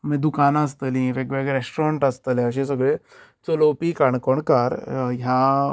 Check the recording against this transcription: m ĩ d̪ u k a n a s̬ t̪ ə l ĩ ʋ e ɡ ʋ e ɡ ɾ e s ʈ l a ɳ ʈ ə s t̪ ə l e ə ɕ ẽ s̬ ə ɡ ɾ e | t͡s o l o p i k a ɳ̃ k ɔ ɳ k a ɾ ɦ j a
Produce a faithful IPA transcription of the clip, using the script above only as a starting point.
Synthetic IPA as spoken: m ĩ d̪ u k a n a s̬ t̪ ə l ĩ ʋ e ɡ ʋ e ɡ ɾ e s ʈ ɾ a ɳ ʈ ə s t̪ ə l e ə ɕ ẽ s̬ ə ɡ ɭ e | t͡s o l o p i k a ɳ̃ k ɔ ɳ k a ɾ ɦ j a